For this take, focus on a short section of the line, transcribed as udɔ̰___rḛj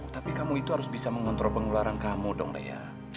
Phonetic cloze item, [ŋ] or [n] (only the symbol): ŋ